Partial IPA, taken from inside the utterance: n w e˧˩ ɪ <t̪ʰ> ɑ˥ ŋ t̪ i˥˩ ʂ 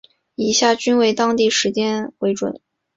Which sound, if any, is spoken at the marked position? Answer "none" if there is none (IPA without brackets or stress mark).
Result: t̪